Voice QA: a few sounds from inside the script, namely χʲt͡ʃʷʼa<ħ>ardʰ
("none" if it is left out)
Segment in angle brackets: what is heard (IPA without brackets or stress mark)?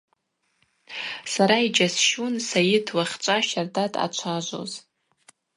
ʃ